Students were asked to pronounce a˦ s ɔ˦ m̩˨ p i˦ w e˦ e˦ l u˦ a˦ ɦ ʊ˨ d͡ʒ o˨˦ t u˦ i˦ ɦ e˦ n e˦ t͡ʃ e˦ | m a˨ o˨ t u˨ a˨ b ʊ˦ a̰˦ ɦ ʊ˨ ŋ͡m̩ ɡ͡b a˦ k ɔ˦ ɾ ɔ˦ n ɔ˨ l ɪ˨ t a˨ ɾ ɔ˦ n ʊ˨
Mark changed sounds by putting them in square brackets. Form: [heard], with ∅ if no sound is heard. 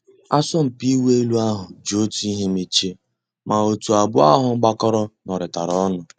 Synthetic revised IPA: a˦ s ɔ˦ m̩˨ p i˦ w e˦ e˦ l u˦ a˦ ɦ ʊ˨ d͡ʒ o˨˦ t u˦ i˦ ɦ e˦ [m] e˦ t͡ʃ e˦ | m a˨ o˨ t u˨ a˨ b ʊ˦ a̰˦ ɦ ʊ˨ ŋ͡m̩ ɡ͡b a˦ k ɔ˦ ɾ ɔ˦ n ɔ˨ [ɾ] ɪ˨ t a˨ ɾ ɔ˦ n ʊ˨